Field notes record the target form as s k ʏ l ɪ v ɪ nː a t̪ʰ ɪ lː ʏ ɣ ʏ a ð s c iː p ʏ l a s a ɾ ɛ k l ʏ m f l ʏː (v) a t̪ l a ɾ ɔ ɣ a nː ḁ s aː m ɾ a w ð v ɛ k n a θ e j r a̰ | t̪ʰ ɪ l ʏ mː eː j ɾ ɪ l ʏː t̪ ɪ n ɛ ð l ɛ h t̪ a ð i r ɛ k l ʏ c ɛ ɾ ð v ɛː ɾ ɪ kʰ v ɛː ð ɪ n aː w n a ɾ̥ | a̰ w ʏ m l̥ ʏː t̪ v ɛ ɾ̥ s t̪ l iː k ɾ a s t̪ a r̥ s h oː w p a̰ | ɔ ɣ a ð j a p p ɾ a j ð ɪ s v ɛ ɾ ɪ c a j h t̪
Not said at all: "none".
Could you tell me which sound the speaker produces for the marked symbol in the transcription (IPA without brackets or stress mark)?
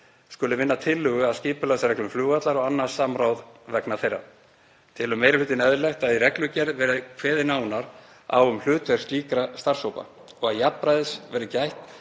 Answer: ɣ